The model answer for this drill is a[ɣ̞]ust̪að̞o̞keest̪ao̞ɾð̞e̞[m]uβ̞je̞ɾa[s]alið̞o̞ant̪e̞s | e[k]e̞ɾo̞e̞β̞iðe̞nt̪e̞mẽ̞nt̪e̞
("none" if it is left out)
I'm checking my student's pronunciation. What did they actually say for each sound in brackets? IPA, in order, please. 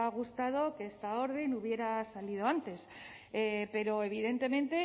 ɣ̞, n, s, p

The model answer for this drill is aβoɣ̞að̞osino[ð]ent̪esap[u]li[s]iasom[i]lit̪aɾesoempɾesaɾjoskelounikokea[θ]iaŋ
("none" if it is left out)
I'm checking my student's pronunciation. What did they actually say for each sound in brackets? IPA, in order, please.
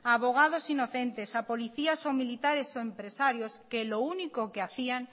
θ, o, θ, i, θ

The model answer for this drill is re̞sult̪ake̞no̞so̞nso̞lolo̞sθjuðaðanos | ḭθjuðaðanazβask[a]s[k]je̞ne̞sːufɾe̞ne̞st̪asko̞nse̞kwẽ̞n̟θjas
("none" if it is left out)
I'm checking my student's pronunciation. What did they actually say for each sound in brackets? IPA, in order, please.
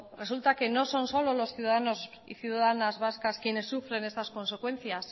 a, k

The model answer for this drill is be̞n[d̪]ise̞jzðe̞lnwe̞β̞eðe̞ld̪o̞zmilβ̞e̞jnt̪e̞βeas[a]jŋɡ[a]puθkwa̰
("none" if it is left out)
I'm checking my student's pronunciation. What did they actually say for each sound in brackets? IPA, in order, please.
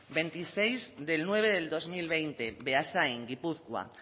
t̪, a, i

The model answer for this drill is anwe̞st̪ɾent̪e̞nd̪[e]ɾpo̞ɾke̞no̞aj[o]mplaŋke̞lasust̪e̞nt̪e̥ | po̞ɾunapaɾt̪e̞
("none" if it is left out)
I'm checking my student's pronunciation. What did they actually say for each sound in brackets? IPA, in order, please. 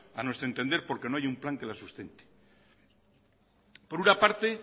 e, u

